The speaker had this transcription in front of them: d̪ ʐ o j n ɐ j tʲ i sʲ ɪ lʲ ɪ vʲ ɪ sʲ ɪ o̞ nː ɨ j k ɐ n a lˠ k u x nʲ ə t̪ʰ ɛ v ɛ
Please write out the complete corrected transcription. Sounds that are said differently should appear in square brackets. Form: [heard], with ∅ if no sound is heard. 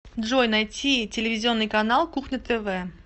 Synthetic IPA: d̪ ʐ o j n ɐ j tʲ i [tʲ] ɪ lʲ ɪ vʲ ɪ [zʲ] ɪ o̞ nː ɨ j k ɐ n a lˠ k u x nʲ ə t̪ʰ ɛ v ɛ